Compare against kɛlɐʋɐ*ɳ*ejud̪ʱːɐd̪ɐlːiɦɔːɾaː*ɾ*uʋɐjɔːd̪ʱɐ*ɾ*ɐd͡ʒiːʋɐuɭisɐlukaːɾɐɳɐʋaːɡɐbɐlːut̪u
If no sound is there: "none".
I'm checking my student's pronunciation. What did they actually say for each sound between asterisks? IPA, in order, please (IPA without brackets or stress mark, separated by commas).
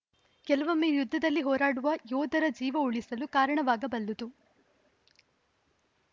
m, ɽ, ɾ